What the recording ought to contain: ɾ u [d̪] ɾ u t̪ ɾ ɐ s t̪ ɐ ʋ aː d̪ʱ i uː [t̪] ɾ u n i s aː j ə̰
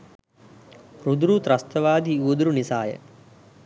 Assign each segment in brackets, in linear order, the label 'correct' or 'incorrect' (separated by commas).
correct, incorrect